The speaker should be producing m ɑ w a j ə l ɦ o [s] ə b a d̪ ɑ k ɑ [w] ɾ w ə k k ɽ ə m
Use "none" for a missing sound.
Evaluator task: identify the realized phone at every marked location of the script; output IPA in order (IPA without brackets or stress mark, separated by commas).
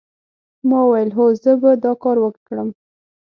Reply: z, none